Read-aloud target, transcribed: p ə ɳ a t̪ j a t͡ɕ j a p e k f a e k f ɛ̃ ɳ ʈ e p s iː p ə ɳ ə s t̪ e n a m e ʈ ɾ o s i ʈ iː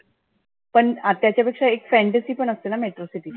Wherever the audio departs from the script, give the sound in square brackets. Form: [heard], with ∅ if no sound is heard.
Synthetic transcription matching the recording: p ə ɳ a t̪ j a t͡ɕ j a p e k [ʂ] a e k f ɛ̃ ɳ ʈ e [∅] s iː p ə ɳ ə s t̪ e n a m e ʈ ɾ o s i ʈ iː

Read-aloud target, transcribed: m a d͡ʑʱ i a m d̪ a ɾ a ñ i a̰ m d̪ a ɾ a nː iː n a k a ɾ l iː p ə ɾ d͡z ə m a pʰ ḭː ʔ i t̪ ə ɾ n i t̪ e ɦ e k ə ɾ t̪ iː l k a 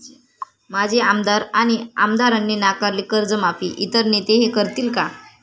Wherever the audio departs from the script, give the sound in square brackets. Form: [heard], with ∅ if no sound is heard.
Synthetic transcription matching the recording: m a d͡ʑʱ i a m d̪ a ɾ a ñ i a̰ m d̪ a ɾ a nː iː n a k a ɾ l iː [k] ə ɾ d͡z ə m a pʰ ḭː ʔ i t̪ ə ɾ n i t̪ e ɦ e k ə ɾ t̪ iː l k a

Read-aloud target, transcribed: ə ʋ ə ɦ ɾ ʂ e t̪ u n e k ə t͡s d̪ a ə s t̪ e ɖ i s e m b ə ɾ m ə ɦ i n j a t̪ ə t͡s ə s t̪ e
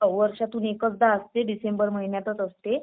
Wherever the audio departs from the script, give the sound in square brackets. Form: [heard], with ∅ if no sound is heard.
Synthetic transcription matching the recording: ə ʋ ə [∅] ɾ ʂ [a] t̪ u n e k ə t͡s d̪ a ə s t̪ e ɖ i s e m b ə ɾ m ə ɦ i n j a t̪ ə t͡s ə s t̪ e

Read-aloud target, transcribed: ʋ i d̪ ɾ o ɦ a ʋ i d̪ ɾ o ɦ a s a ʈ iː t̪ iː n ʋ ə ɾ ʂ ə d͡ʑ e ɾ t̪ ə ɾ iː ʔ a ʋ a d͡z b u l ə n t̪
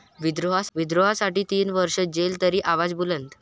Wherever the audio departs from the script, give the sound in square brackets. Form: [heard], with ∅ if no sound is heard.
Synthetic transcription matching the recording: ʋ i d̪ ɾ o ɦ a ʋ i d̪ ɾ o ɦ a s a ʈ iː t̪ iː n ʋ ə ɾ ʂ ə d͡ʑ e [l] t̪ ə ɾ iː ʔ a ʋ a d͡z b u l ə n t̪

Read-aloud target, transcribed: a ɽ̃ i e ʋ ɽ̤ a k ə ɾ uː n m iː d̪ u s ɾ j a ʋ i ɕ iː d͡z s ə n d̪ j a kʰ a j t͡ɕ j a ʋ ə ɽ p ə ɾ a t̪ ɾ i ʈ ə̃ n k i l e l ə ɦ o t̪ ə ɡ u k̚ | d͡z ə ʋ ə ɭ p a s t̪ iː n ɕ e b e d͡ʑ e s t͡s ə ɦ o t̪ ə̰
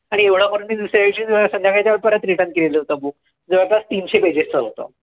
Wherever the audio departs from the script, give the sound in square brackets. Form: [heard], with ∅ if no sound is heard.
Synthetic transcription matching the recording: a ɽ̃ i e ʋ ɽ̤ a k ə ɾ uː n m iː d̪ u s ɾ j a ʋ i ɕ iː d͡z s ə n d̪ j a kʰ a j t͡ɕ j a ʋ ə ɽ p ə ɾ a t̪ ɾ i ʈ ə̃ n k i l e l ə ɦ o t̪ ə [b] u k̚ | d͡z ə ʋ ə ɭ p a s t̪ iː n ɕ e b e d͡ʑ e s t͡s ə ɦ o t̪ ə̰

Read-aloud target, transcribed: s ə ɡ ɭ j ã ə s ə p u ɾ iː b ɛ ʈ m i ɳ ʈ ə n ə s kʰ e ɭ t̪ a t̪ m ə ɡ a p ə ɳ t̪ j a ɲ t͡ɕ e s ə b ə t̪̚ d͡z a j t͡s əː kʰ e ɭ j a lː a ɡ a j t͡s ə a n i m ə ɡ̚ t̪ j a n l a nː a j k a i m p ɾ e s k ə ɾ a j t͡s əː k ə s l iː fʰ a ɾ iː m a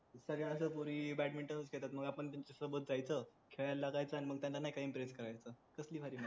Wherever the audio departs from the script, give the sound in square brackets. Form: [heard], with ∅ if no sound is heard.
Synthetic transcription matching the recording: s ə ɡ ɭ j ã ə s ə p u ɾ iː b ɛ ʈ m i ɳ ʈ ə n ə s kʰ e ɭ t̪ a t̪ m ə ɡ a p ə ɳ t̪ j a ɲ t͡ɕ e s ə b ə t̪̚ d͡z a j t͡s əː kʰ e ɭ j a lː a ɡ a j t͡s ə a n i m ə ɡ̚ t̪ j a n l a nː a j k a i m p ɾ e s k ə ɾ a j t͡s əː k ə s l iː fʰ a ɾ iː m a

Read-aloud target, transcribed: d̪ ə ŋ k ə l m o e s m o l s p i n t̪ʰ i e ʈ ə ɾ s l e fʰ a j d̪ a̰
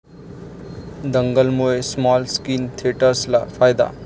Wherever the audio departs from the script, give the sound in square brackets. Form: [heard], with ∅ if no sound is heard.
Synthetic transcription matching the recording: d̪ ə ŋ [ɡ] ə l m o e s m [ɔ] l s [k] i n t̪ʰ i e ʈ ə ɾ s l [a] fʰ a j d̪ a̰

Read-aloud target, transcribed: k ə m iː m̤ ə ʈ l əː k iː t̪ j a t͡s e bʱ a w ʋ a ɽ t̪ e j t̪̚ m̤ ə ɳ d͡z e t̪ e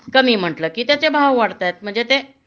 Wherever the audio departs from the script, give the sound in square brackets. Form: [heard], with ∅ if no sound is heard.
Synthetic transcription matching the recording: k ə m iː m̤ ə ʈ l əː k iː t̪ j a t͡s e bʱ a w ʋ a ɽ t̪ [a] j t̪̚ m̤ ə ɳ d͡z e t̪ e

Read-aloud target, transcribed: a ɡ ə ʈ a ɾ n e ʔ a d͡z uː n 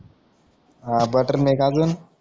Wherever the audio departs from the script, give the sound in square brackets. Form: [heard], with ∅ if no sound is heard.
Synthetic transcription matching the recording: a [b] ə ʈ [ə] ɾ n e [k] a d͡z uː n

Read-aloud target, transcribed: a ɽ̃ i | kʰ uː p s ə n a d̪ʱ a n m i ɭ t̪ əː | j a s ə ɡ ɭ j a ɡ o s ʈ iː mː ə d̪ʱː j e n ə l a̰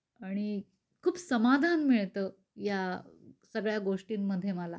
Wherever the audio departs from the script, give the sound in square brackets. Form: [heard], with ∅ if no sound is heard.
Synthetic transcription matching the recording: a ɽ̃ i | kʰ uː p s ə [m] a d̪ʱ a n m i ɭ t̪ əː | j a s ə ɡ ɭ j a ɡ o [ʂ] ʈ iː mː ə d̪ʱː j e [m] ə l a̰

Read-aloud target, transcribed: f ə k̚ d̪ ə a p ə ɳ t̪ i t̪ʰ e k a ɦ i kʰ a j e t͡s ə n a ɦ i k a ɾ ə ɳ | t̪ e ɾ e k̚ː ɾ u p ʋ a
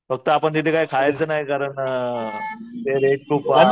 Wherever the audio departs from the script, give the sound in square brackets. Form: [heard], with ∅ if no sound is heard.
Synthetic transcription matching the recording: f ə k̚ [t̪] ə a p ə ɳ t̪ i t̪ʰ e k a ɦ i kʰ a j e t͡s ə n a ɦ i k a ɾ ə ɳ | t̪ e ɾ e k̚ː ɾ u p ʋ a

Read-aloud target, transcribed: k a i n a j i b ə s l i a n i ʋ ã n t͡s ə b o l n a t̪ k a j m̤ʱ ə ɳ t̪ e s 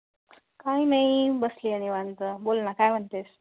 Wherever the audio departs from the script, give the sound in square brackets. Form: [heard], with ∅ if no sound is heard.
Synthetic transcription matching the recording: k a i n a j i b ə s l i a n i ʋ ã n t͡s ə b o l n a [∅] k a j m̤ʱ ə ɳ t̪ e s

